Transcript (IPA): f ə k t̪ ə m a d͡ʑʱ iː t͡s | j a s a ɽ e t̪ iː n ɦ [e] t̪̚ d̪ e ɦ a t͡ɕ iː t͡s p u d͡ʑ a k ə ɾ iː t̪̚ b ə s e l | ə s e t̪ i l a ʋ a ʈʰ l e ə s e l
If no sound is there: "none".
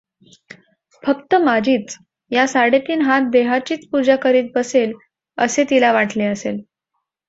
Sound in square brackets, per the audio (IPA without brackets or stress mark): a